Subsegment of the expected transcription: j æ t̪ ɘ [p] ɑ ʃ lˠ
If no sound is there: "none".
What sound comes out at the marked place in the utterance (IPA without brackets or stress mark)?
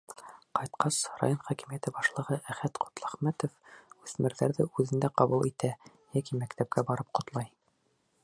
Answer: b